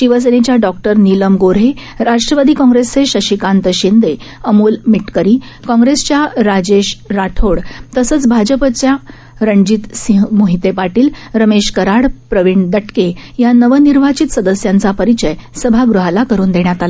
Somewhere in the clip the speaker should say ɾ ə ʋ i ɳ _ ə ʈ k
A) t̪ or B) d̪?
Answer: B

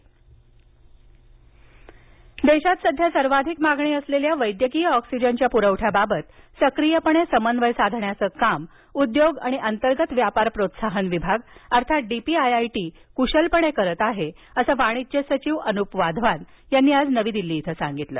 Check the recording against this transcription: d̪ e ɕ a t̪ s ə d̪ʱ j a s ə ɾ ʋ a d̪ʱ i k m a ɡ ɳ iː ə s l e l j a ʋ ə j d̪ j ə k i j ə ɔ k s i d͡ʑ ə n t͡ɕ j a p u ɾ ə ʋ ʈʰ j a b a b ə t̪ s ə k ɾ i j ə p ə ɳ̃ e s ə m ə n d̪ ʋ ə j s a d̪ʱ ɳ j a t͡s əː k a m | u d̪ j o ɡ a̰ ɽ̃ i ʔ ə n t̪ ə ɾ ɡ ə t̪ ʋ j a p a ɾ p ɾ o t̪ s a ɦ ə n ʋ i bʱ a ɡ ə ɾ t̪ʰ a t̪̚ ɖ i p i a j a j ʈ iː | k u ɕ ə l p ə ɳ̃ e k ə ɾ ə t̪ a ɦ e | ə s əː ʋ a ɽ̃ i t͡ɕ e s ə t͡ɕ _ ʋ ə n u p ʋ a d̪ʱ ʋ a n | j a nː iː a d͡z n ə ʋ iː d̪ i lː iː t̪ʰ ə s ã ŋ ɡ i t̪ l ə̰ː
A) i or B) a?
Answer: A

